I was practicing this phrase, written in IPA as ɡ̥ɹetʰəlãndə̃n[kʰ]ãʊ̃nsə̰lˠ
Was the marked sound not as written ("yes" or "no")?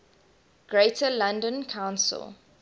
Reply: no